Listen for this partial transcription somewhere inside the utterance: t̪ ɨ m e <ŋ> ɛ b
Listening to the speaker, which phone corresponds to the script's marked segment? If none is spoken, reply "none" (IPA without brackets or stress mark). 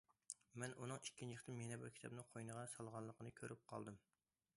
n